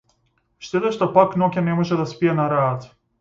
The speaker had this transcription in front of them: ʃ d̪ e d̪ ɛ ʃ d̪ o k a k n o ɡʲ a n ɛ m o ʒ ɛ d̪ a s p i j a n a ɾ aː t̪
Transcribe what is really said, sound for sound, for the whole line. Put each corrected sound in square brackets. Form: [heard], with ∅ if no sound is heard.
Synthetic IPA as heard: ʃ [t̪] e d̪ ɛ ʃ [t̪] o [p] a k n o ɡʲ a n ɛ m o ʒ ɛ d̪ a s p i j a n a ɾ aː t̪